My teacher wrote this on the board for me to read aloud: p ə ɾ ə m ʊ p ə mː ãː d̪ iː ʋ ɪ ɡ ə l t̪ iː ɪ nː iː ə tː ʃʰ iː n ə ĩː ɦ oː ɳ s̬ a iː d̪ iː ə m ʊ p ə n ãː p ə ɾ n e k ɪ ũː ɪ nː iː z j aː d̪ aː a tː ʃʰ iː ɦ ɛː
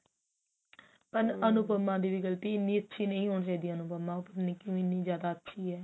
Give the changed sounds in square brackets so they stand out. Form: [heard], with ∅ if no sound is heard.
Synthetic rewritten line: p ə ɾ ə [n] ʊ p ə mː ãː d̪ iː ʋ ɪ ɡ ə l t̪ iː ɪ nː iː ə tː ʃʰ iː n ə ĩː ɦ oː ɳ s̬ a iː d̪ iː ə [n] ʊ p ə [m] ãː p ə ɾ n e k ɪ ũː ɪ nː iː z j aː d̪ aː [ə] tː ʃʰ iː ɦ ɛː